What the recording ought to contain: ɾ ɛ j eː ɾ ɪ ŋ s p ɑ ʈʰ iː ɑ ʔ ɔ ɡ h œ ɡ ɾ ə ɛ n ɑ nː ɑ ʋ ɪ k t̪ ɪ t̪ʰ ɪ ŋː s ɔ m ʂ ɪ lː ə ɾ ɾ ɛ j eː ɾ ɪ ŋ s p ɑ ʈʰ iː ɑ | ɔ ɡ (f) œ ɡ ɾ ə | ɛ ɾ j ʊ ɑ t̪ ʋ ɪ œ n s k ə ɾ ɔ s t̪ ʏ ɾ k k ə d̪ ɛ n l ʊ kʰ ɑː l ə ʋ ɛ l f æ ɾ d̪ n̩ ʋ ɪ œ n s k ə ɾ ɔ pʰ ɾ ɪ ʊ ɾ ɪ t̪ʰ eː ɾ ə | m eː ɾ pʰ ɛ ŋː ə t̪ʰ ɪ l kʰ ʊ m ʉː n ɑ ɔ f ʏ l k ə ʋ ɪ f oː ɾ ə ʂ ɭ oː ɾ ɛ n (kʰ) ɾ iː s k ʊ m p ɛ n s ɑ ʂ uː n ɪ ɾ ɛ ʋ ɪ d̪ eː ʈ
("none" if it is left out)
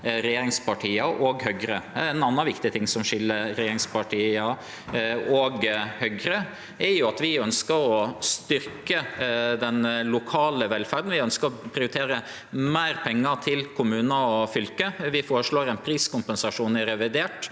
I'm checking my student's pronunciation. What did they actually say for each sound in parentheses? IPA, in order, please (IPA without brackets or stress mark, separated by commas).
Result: h, pʰ